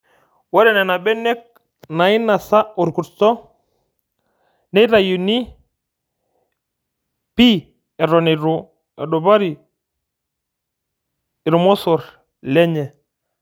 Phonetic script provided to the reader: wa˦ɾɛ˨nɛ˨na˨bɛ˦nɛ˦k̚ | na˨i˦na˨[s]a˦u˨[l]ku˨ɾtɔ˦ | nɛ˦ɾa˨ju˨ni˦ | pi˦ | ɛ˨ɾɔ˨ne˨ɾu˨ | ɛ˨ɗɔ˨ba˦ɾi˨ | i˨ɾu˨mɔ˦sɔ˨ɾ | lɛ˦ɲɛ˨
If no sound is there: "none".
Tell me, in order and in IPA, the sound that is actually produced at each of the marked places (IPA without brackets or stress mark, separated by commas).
s, ɾ